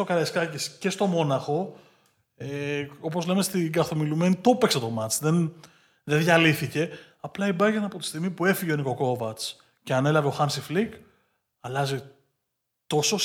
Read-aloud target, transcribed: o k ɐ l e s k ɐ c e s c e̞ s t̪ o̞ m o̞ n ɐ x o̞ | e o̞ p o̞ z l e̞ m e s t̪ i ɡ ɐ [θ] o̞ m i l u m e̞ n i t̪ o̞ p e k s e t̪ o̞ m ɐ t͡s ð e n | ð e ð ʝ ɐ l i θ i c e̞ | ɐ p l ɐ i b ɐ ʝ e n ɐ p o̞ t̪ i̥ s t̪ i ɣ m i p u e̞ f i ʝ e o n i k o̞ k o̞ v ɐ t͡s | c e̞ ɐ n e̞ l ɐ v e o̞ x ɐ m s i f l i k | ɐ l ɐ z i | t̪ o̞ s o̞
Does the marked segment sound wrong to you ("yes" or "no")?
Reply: no